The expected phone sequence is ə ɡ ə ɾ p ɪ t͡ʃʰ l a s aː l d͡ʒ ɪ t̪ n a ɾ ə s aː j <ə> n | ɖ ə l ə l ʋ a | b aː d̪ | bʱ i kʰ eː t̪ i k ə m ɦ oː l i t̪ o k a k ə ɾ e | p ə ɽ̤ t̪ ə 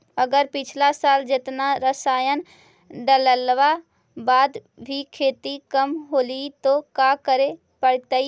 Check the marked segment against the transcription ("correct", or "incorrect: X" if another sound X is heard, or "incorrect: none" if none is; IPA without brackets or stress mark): correct